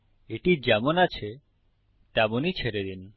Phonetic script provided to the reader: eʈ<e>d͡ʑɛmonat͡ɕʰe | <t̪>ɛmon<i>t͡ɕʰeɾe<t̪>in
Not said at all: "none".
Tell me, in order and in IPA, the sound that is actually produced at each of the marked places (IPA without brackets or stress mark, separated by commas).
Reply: i, t̪, i, d̪